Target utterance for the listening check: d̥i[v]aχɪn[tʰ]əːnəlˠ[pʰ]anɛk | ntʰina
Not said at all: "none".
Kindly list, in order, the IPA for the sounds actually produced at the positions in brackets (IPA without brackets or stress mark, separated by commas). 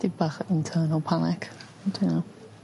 b, tʰ, pʰ